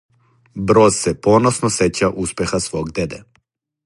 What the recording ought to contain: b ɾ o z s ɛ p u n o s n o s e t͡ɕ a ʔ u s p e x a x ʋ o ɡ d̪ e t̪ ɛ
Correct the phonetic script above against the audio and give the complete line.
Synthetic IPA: b ɾ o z s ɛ p o n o s n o s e t͡ɕ a ʔ u s p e x a s ʋ o ɡ d̪ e d̪ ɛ